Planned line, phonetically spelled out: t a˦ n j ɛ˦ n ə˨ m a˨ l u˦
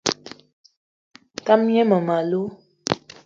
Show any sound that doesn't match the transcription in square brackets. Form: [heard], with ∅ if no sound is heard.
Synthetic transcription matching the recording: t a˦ [m] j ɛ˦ [m] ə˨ m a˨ l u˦